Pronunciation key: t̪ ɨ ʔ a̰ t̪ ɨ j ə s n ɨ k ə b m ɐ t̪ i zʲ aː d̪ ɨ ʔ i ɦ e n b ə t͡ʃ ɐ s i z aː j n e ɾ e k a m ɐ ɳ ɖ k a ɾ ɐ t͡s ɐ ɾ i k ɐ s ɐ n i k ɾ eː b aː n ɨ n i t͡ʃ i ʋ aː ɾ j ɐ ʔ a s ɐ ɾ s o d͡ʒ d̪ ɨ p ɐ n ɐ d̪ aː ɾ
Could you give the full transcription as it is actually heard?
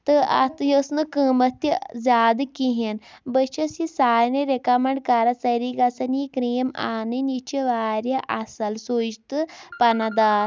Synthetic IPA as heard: t̪ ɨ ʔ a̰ t̪ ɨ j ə s n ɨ k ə m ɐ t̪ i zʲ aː d̪ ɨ k i ɦ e n b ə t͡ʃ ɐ s i s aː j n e ɾ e k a m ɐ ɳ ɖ k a ɾ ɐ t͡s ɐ ɾ i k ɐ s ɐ n i k ɾ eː m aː n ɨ n i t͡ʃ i ʋ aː ɾ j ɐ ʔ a s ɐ l s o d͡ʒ t̪ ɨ p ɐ n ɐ d̪ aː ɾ

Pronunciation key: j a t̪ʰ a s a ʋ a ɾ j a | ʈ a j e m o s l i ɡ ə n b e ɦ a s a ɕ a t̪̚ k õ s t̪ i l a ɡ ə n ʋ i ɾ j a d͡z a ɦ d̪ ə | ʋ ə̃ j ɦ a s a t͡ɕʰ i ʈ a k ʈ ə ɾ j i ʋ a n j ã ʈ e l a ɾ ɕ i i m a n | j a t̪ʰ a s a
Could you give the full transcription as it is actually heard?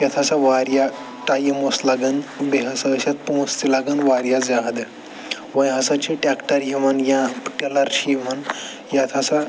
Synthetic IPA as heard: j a t̪ʰ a s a ʋ a ɾ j a | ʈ a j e m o s l a ɡ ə n b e ɦ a s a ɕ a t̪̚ p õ s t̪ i l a ɡ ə n ʋ a ɾ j a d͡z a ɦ d̪ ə | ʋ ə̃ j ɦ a s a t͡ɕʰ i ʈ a k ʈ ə ɾ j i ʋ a n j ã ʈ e l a ɾ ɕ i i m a n | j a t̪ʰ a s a

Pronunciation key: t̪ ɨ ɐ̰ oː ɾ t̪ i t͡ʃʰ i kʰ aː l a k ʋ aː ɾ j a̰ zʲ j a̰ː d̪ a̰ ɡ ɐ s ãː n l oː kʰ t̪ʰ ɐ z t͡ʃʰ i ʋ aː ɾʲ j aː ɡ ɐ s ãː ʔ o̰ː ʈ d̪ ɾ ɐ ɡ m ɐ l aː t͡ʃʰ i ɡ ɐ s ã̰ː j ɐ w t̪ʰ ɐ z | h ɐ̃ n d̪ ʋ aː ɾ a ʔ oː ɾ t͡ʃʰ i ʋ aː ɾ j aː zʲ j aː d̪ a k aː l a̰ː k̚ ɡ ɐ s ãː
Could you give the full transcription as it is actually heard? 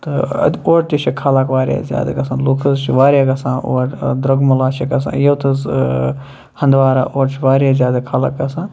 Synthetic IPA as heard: t̪ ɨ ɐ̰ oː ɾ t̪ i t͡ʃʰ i kʰ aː l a k ʋ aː ɾ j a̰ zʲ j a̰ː d̪ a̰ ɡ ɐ s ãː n l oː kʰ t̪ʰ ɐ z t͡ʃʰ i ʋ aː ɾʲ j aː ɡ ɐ s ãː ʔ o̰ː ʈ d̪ ɾ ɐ ɡ m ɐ l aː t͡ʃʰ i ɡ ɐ s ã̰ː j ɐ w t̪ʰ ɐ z | h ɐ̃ n d̪ ʋ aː ɾ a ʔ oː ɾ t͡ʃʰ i ʋ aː ɾ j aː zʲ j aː d̪ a kʰ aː l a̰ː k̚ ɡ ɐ s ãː

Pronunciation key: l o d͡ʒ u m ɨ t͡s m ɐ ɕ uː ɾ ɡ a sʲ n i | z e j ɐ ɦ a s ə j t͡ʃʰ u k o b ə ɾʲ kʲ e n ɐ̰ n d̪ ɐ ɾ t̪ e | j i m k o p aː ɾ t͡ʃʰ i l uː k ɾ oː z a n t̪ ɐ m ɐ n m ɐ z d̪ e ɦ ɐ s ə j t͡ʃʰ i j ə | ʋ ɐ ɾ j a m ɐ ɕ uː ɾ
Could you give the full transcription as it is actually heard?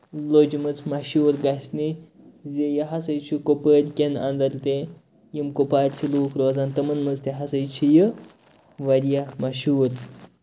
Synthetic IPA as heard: l o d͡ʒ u m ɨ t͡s m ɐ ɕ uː ɾ ɡ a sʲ n i | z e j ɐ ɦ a s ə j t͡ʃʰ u k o p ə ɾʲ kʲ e n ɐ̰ n d̪ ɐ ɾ t̪ e | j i m k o p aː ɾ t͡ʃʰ i l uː k ɾ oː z a n t̪ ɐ m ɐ n m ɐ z t̪ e ɦ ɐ s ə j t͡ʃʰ i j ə | ʋ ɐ ɾ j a m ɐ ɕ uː ɾ

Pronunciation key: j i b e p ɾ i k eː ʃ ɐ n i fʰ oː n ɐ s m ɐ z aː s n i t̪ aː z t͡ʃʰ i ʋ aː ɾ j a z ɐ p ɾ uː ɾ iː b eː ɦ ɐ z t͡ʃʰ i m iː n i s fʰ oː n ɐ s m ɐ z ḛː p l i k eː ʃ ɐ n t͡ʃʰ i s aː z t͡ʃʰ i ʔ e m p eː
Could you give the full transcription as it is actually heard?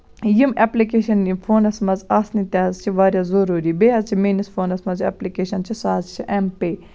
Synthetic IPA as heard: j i m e p l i k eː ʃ ɐ n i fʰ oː n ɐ s m ɐ z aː s n i t̪ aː z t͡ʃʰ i ʋ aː ɾ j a z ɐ ɾ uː ɾ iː b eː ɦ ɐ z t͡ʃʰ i m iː n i s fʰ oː n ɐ s m ɐ z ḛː p l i k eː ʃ ɐ n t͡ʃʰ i s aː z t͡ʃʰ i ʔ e m p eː

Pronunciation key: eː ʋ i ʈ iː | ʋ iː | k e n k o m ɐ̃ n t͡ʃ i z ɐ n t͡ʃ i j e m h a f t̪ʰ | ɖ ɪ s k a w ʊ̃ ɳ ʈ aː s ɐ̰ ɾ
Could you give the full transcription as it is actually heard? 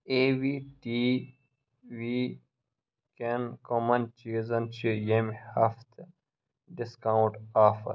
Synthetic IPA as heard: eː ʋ i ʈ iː | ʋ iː | k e n k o m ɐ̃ n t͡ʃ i z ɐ n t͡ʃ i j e m h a f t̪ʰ | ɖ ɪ s k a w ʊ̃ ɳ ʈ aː f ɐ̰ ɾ

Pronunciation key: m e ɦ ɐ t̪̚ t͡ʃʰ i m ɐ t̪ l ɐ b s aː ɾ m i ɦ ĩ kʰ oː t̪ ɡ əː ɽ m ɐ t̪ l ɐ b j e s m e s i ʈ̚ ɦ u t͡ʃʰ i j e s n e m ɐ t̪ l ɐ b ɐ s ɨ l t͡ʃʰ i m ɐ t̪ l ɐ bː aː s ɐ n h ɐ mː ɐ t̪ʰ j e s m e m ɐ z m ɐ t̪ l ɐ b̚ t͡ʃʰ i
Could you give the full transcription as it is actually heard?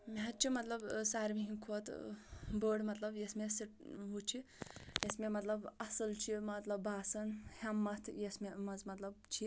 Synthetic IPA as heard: m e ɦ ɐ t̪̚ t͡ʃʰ i m ɐ t̪ l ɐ b s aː ɾ m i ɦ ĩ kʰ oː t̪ b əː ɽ m ɐ t̪ l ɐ b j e s m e s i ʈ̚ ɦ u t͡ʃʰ i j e s m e m ɐ t̪ l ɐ b ɐ s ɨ l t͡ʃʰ i m ɐ t̪ l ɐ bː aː s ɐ n h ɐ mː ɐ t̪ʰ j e s m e m ɐ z m ɐ t̪ l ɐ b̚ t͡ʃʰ i

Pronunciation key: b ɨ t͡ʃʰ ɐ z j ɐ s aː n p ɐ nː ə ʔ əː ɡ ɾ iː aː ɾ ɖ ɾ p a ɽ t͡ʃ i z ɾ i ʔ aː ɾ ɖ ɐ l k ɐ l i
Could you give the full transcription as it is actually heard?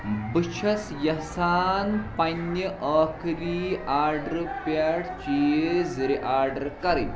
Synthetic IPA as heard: b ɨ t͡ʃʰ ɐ s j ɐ s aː n p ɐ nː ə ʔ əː k ɾ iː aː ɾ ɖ ɾ p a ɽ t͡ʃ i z ɾ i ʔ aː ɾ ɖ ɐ ɾ k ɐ ɾ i

